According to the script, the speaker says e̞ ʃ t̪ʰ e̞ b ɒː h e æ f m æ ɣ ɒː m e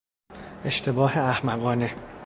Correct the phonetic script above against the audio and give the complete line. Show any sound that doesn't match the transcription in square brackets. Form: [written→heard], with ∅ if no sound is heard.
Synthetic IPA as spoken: e̞ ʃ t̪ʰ e̞ b ɒː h e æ [f→h] m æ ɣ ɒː [m→n] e

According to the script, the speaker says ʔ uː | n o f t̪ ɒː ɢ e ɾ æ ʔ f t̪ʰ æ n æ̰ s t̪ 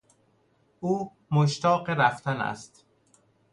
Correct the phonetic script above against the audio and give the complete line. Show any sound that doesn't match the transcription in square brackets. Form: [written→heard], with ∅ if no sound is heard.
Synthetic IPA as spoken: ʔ uː | [n→m] o [f→ʃ] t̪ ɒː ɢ e ɾ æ [ʔ→∅] f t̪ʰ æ n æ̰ s t̪

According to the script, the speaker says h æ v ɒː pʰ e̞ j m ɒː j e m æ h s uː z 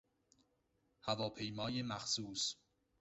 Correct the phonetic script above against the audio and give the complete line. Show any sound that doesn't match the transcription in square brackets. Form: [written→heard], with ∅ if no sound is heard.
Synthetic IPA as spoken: h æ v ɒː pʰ e̞ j m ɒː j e m æ [h→x] s uː [z→s]

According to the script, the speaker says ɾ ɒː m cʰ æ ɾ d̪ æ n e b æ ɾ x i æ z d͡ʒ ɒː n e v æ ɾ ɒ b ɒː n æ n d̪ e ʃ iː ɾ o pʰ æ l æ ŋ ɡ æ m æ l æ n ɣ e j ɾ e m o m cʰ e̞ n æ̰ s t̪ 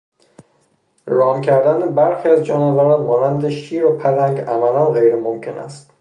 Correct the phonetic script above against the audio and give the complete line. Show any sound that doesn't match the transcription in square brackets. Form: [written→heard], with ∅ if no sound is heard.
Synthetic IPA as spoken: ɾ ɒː m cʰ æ ɾ d̪ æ n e b æ ɾ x i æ z d͡ʒ ɒː n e v æ ɾ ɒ [b→m] ɒː n æ n d̪ e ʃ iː ɾ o pʰ æ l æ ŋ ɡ æ m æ l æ n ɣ e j ɾ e m o m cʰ e̞ n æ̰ s t̪

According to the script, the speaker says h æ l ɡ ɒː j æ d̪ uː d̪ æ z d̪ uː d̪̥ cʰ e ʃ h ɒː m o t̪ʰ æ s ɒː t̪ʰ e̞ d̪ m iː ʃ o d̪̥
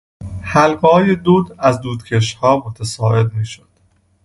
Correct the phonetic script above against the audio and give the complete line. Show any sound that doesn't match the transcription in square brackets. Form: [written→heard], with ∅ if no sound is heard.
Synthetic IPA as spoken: h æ l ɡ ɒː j [æ→e] d̪ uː d̪ æ z d̪ uː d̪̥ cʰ e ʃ h ɒː m o t̪ʰ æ s ɒː [t̪ʰ→∅] e̞ d̪ m iː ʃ o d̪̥

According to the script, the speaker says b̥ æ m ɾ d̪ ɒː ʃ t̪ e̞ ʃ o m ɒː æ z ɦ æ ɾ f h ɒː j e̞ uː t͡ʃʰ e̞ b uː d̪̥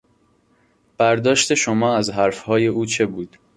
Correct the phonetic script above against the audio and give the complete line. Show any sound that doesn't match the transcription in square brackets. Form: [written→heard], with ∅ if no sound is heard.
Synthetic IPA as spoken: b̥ æ [m→∅] ɾ d̪ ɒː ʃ t̪ e̞ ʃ o m ɒː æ z ɦ æ ɾ f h ɒː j e̞ uː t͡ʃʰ e̞ b uː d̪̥

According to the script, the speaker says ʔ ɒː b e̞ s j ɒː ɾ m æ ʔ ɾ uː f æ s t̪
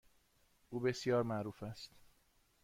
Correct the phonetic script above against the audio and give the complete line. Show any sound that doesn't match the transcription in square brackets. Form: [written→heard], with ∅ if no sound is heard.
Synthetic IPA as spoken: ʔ [ɒː→uː] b e̞ s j ɒː ɾ m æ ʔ ɾ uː f æ s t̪

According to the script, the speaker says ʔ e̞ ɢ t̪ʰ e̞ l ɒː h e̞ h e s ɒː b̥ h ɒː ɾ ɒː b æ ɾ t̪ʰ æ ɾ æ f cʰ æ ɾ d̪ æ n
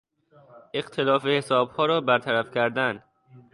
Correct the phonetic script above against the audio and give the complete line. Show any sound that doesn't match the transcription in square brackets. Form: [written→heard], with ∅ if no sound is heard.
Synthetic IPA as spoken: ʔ e̞ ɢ t̪ʰ e̞ l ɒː [h→f] e̞ h e s ɒː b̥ h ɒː ɾ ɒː b æ ɾ t̪ʰ æ ɾ æ f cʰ æ ɾ d̪ æ n

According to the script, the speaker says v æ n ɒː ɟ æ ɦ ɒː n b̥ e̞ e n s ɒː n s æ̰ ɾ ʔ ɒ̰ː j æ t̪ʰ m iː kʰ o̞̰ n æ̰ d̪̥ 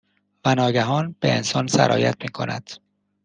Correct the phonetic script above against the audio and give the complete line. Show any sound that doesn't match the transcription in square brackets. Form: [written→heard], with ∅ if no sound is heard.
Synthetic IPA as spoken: v æ n ɒː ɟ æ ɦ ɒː n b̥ e̞ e n s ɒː n s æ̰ ɾ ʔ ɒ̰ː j æ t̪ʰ m iː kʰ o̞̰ n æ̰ d̪̥

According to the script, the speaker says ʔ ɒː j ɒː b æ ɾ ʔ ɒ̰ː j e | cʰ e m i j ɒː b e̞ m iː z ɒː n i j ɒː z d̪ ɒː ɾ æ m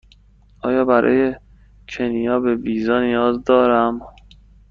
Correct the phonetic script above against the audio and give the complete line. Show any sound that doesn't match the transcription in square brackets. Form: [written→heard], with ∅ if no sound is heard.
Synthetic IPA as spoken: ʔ ɒː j ɒː b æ ɾ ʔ ɒ̰ː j e | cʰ e [m→n] i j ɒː b e̞ [m→b] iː z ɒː n i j ɒː z d̪ ɒː ɾ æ m

